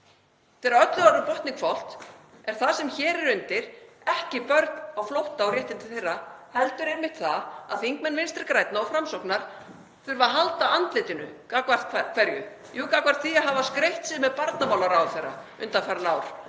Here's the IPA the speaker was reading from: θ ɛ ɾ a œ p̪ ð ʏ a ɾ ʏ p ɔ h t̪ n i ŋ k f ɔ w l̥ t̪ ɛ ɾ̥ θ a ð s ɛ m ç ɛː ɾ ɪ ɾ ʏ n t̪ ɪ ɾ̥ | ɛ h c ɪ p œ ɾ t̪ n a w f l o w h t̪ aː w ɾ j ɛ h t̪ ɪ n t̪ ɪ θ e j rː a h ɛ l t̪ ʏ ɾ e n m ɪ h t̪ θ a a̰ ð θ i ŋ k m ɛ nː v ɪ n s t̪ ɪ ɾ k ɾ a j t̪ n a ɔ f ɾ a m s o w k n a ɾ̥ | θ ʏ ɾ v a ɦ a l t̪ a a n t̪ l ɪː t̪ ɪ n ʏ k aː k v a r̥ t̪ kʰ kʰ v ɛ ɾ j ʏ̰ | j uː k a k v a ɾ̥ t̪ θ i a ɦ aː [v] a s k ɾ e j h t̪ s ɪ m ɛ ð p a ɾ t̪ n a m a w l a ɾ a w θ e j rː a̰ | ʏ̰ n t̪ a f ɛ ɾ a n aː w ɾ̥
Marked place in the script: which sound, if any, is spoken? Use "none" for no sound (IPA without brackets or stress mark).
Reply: v